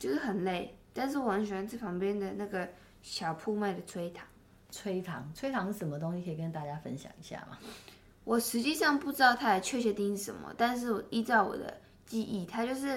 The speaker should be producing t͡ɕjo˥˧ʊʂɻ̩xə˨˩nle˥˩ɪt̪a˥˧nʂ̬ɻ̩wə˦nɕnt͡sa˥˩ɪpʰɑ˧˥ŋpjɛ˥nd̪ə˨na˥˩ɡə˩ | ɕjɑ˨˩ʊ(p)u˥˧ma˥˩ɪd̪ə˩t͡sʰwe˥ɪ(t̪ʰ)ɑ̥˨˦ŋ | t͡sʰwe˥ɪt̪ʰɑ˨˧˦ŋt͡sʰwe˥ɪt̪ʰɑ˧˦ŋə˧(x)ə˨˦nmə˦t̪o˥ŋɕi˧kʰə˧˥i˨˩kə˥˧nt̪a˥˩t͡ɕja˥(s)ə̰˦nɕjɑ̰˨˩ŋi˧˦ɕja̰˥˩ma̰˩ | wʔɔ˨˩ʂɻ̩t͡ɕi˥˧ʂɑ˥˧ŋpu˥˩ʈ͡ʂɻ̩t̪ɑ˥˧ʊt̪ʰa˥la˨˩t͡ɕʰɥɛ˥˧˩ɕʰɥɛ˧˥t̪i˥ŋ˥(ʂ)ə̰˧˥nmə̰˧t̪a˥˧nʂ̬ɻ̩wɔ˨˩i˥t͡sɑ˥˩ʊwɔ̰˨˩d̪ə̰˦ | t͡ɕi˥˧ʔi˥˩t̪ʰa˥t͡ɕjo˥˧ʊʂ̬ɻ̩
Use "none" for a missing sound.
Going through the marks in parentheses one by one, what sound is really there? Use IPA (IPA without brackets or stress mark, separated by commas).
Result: pʰ, t̪ʰ, ʂ, f, ʂ